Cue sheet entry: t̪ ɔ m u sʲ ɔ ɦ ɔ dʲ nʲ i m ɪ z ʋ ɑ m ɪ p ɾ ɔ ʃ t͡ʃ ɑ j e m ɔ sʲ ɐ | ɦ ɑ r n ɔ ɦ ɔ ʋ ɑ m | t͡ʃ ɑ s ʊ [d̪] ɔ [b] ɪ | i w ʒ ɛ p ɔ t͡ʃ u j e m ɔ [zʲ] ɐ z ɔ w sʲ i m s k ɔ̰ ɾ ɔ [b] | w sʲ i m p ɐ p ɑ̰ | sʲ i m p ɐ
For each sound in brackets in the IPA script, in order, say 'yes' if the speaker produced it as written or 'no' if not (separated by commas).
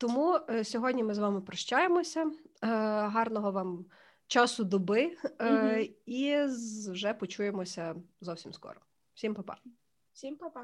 yes, yes, no, no